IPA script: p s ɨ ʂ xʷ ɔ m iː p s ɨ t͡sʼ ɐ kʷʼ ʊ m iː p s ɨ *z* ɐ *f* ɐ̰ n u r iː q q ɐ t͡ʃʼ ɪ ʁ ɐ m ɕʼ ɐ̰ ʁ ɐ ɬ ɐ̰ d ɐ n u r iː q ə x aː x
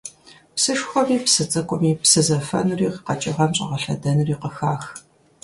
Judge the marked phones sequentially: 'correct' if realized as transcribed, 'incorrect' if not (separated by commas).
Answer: correct, correct